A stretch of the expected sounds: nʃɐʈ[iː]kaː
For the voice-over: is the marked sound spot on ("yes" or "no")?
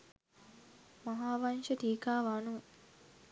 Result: yes